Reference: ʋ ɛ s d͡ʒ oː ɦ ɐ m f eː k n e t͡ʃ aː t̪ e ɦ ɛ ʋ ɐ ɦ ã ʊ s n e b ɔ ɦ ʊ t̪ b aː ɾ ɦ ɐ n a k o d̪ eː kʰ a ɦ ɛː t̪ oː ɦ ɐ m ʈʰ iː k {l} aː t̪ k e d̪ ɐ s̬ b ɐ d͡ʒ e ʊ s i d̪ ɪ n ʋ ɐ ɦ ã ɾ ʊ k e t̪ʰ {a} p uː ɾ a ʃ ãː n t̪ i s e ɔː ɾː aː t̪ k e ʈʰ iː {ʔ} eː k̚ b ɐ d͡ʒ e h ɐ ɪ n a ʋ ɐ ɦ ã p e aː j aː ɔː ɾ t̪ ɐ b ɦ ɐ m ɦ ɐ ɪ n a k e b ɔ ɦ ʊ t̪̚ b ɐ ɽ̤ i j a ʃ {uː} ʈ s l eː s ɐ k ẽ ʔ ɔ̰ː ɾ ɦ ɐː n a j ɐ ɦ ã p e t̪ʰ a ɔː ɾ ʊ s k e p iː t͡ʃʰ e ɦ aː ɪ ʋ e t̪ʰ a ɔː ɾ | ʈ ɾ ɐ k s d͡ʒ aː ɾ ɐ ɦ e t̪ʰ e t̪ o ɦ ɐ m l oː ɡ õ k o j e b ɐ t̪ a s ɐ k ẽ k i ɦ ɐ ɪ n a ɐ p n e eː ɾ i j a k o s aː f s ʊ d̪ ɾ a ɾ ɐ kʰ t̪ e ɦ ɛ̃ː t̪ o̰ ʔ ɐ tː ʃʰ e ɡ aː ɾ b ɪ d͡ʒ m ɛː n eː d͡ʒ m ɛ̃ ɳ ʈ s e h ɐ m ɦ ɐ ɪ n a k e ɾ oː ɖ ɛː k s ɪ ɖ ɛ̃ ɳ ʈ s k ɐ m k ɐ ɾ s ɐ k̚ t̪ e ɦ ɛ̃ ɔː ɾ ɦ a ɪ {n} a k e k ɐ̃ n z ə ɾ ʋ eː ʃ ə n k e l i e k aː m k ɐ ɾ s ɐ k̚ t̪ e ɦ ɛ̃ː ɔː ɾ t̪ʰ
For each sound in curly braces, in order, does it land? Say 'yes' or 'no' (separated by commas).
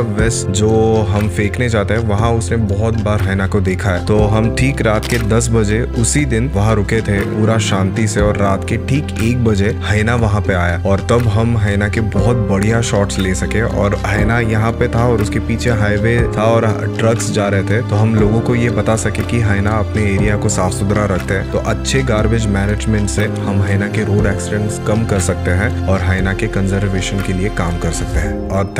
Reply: no, no, no, no, yes